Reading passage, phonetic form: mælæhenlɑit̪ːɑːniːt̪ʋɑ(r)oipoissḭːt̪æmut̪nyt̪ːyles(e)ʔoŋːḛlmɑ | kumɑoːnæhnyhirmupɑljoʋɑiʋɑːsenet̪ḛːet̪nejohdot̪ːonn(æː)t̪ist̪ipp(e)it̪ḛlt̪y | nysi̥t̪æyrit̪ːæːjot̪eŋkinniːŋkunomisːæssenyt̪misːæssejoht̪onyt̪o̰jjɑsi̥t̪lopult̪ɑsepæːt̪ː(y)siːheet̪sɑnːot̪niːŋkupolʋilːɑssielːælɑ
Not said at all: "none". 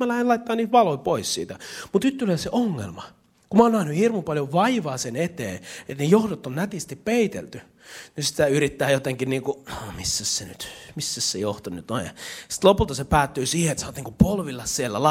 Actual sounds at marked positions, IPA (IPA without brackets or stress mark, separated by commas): l, e, æ, e, yː